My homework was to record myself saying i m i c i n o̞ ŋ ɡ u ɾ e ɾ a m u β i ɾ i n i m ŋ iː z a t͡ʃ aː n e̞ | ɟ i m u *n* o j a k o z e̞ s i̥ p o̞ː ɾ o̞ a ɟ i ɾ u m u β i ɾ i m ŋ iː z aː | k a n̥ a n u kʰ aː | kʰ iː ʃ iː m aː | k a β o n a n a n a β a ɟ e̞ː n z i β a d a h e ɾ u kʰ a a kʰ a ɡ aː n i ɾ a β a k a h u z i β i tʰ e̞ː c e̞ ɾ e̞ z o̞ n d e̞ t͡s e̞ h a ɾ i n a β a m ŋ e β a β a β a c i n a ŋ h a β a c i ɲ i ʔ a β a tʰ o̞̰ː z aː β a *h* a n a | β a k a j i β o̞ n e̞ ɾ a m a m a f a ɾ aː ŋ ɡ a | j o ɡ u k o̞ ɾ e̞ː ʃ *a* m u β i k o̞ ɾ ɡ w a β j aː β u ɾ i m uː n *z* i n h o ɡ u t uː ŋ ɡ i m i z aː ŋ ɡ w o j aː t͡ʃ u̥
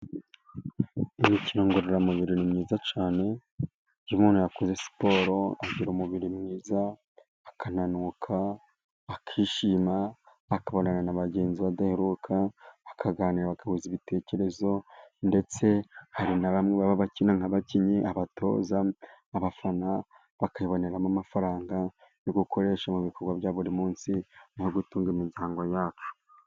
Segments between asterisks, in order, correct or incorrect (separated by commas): correct, incorrect, correct, incorrect